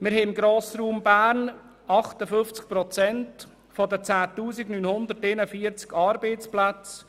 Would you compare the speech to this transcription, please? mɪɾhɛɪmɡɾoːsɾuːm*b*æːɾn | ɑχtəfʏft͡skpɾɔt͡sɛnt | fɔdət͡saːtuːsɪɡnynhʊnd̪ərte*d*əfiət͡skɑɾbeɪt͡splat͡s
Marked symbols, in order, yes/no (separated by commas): yes, no